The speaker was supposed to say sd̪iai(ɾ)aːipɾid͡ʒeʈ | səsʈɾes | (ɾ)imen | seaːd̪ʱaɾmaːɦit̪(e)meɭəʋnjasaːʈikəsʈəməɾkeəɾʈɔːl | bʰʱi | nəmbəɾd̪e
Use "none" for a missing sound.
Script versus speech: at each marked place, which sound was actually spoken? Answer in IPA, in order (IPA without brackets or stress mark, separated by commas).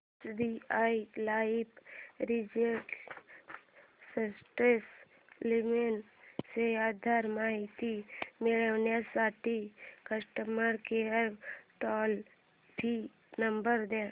l, l, i